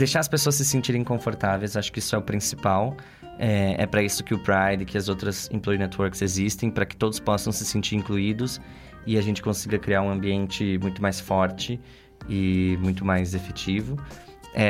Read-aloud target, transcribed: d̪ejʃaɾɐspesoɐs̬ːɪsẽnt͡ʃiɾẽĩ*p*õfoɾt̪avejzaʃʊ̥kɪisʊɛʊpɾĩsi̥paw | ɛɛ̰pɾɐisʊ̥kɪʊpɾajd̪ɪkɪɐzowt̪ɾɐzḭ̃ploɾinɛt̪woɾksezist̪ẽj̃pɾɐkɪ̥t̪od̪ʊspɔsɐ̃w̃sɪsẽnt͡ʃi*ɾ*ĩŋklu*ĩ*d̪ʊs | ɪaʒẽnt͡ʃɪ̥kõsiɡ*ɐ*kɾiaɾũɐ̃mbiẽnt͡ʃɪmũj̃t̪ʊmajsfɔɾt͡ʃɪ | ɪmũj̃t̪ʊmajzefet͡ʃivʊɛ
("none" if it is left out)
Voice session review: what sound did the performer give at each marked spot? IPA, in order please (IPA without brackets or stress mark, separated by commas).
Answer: k, ɾ, i, ɐ